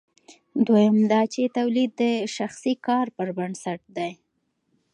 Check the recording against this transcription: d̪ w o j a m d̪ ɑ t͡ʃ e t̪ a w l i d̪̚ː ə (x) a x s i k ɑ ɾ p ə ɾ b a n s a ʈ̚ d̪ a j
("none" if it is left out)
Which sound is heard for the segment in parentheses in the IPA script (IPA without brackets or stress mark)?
ʃ